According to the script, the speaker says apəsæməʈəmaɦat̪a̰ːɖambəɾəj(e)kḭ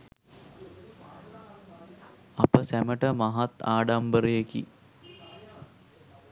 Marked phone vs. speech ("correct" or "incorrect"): correct